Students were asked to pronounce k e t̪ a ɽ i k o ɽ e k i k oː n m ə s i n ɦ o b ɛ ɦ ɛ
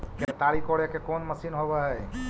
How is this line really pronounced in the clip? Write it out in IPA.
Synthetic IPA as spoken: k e t̪ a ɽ i k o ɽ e k e k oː n m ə s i n ɦ o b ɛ ɦ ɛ